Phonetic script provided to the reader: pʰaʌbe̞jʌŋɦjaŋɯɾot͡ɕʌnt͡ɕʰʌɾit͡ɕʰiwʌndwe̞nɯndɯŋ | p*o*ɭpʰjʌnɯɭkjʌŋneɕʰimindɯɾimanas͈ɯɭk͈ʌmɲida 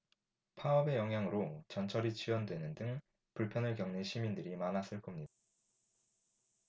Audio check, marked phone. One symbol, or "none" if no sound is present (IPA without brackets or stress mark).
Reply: u